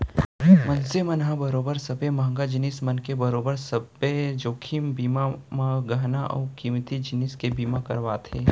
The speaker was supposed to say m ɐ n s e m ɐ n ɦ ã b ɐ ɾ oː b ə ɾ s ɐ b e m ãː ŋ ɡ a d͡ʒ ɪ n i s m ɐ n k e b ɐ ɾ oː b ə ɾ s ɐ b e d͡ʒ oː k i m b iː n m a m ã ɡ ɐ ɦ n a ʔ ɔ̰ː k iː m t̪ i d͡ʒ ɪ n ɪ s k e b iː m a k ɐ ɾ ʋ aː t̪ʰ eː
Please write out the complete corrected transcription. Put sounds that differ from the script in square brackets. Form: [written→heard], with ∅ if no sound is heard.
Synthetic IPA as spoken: m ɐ n s e m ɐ n ɦ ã b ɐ ɾ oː b ə ɾ s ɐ b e m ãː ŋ ɡ a d͡ʒ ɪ n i s m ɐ n k e b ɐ ɾ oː b ə ɾ s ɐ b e d͡ʒ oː [k→kʰ] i m b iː [n→∅] m a m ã ɡ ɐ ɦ n a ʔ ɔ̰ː k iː m t̪ i d͡ʒ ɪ n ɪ s k e b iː m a k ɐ ɾ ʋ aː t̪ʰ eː